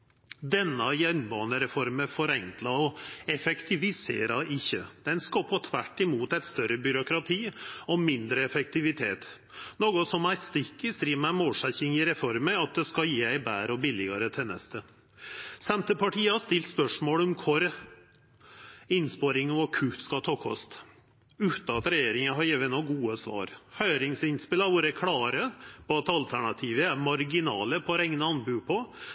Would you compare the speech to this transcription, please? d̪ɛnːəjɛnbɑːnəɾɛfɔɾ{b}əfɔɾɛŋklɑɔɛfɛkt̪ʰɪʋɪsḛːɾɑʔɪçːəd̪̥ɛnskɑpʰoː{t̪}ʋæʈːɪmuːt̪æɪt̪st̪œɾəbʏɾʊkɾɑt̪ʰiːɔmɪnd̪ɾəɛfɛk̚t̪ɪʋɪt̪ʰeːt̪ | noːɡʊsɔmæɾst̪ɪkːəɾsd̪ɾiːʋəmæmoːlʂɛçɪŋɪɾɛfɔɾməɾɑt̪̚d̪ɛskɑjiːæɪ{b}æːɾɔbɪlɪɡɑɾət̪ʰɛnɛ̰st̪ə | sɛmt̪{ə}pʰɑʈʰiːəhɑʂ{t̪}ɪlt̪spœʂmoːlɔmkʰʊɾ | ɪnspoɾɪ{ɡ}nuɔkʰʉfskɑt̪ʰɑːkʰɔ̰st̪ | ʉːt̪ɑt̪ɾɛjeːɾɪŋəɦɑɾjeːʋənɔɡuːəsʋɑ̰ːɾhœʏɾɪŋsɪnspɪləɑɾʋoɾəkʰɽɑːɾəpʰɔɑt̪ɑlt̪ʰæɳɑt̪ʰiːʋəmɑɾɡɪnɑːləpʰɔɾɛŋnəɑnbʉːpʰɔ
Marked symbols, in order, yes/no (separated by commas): no, no, yes, yes, yes, no